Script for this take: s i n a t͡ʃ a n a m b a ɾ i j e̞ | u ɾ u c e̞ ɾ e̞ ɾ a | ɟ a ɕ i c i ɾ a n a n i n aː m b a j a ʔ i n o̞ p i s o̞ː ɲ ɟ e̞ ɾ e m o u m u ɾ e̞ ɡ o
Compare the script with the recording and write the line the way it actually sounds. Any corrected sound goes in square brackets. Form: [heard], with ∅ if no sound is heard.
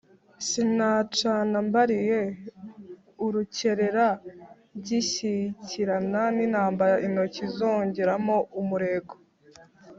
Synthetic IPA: s i n a t͡ʃ a n a m b a ɾ i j e̞ | u ɾ u c e̞ ɾ e̞ ɾ a | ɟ [i] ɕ i c i ɾ a n a n i n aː m b a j a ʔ i n o̞ [c] i [z] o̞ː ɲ ɟ e̞ ɾ [a] m o u m u ɾ e̞ ɡ o